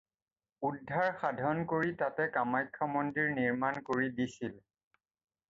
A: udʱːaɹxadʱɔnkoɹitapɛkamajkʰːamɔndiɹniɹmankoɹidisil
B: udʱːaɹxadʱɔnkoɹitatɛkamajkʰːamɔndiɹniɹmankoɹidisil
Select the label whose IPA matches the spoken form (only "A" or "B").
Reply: B